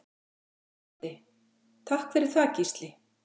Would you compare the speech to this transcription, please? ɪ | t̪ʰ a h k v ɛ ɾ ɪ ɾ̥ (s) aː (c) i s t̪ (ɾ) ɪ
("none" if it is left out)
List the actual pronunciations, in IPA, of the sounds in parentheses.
θ, c, l

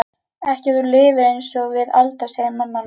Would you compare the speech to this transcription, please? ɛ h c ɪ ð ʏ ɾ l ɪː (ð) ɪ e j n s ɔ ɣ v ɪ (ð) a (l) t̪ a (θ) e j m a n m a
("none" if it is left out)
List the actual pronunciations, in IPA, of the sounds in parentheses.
v, ð, l, s

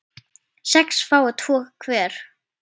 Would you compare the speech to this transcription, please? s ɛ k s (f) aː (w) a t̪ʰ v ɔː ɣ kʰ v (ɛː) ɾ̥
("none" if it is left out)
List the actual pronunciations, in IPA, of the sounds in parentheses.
f, w, ɛː

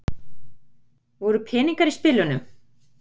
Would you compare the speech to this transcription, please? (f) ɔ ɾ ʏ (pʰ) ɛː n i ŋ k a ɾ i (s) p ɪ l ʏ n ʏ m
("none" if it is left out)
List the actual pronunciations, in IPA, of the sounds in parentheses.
v, pʰ, s

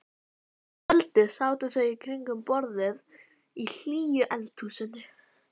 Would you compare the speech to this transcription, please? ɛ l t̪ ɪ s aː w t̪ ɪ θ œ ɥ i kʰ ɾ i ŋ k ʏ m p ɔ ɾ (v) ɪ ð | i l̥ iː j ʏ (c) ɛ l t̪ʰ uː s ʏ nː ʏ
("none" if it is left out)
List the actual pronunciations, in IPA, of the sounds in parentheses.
ð, ʔ

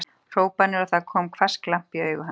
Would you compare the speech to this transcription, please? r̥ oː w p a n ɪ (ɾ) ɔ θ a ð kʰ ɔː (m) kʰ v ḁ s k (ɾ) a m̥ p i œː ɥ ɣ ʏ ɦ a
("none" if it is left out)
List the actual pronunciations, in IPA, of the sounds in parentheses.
ɾ, m, l

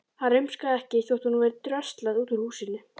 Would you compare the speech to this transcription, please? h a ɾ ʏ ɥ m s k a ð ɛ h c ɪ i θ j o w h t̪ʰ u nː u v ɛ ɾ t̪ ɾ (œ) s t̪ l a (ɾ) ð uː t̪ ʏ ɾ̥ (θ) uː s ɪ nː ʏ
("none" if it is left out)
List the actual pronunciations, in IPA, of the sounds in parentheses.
œ, none, h

